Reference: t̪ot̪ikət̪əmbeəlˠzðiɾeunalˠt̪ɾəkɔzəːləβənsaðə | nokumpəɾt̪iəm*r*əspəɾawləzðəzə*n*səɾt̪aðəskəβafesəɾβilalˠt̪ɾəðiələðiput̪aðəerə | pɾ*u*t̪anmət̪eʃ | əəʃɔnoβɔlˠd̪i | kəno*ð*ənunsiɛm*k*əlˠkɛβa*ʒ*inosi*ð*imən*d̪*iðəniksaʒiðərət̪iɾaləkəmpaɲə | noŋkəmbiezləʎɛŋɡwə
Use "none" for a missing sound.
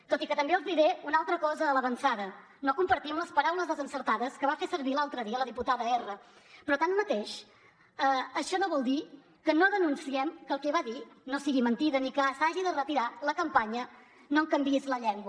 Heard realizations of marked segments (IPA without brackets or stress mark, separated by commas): l, n, ɔ, ð, k, ð, ɣ, t̪